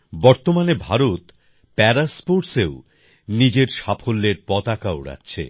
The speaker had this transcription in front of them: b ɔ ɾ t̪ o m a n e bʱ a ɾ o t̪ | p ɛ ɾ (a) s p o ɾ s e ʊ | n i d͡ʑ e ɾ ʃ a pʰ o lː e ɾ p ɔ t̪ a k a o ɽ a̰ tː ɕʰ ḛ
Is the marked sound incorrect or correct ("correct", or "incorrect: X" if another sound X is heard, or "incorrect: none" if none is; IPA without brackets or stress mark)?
correct